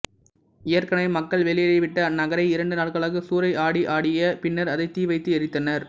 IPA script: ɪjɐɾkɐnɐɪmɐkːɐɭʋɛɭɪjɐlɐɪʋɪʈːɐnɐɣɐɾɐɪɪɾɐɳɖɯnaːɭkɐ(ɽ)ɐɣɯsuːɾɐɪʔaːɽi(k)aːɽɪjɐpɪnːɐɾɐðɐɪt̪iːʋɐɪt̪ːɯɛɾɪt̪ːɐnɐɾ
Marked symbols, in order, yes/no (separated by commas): no, no